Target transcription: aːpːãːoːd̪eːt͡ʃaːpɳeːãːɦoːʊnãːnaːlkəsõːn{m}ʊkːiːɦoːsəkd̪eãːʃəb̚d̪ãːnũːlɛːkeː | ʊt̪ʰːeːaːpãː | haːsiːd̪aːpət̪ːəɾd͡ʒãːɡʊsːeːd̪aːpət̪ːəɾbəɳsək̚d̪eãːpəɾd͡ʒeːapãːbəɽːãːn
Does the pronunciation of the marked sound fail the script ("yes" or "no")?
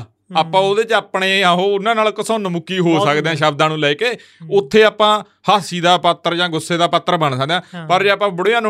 no